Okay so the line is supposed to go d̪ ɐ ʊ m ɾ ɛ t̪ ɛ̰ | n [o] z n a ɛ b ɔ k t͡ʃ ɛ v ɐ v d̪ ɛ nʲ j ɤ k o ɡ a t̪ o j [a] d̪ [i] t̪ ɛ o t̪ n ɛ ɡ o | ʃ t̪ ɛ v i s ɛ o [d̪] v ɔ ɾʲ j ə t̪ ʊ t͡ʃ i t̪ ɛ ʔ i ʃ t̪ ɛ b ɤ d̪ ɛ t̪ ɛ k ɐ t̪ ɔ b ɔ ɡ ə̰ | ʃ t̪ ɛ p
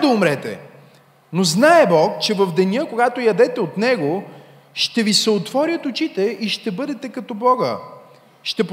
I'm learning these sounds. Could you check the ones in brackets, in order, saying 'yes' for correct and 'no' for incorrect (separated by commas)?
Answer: yes, no, no, no